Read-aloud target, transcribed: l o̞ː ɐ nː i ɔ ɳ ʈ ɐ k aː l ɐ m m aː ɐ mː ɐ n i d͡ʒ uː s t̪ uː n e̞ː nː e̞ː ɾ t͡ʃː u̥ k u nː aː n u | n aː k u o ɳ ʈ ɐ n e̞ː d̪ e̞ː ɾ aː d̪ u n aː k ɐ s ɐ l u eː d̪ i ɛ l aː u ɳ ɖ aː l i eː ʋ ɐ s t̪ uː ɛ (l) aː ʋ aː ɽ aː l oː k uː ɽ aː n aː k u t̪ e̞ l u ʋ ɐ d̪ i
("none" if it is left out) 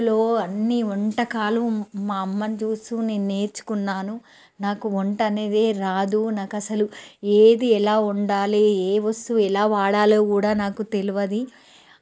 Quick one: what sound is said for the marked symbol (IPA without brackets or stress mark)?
l